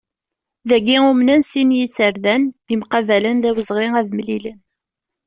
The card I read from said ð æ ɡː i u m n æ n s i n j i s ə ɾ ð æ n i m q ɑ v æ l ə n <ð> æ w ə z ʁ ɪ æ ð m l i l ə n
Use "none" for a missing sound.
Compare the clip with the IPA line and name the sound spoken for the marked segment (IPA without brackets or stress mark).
ð